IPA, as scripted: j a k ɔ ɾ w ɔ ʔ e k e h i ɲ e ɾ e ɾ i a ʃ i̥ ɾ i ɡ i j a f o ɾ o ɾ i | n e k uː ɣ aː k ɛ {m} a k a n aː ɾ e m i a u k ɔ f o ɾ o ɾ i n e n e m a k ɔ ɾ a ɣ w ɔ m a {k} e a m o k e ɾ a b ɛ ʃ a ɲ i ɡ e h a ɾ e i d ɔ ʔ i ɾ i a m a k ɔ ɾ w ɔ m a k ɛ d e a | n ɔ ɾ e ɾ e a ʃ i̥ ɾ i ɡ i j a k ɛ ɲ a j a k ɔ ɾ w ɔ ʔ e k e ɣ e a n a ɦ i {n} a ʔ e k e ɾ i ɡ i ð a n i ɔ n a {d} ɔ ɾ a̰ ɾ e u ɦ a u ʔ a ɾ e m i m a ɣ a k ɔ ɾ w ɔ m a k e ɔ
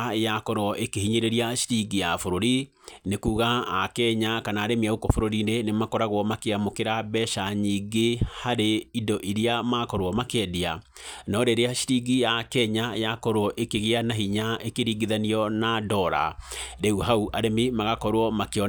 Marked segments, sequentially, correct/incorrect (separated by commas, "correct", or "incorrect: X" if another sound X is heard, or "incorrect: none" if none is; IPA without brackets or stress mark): incorrect: ɲ, correct, incorrect: ɲ, correct